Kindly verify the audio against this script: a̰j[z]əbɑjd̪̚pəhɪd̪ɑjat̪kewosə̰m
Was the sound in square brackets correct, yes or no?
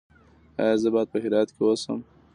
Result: yes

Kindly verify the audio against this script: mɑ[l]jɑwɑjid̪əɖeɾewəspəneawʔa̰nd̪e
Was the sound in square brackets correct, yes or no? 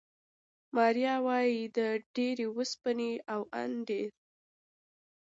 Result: no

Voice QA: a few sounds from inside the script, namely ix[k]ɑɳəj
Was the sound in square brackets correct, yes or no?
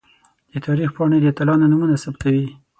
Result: no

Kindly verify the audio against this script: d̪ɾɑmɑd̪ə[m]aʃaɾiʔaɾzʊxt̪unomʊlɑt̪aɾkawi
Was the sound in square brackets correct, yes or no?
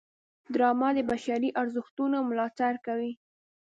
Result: no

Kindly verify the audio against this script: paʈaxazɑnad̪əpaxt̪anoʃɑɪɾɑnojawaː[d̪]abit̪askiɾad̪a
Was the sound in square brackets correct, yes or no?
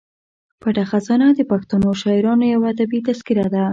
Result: yes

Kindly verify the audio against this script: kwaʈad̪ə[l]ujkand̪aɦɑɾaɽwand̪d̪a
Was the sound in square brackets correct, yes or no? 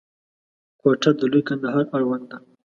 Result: yes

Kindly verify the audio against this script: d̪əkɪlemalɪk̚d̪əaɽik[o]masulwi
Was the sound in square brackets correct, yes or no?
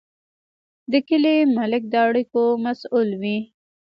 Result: yes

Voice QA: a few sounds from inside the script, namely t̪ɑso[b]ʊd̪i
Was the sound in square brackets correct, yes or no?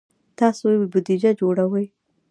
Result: yes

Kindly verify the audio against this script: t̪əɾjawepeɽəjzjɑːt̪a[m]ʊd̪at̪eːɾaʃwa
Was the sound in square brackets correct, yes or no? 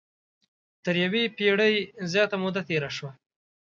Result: yes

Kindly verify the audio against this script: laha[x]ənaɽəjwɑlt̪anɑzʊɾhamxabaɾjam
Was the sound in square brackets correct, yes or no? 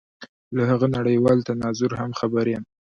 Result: no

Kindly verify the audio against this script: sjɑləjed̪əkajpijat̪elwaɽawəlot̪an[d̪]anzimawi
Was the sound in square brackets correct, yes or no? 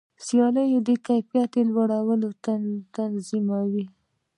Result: no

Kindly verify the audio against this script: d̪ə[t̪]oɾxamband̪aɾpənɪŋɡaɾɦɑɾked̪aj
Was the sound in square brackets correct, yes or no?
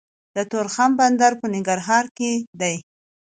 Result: yes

